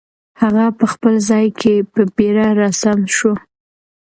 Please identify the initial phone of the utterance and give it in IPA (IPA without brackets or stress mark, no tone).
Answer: h